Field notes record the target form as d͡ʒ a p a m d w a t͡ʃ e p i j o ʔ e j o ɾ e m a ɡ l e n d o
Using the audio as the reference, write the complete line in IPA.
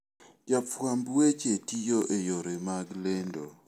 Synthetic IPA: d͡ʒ a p a m b w e t͡ʃ e t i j o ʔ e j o ɾ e m a ɡ l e n d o